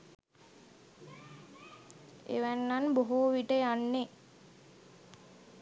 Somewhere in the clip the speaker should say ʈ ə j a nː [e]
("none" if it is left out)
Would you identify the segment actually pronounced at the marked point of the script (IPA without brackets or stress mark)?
e